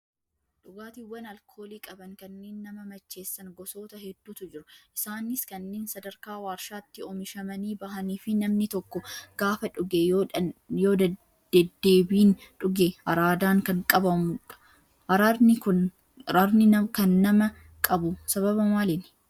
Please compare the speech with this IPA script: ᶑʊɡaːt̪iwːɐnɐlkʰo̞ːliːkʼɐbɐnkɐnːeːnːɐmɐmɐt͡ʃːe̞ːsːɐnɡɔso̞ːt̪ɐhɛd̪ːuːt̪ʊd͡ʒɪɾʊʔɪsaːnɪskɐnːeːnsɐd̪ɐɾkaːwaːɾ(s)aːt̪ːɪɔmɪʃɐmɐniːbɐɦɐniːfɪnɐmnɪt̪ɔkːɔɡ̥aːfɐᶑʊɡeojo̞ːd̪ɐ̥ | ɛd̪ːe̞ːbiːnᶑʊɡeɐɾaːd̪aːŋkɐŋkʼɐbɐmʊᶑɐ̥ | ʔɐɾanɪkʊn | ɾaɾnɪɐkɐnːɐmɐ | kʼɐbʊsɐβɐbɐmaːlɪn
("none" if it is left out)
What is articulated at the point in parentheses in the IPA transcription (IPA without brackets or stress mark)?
ʃ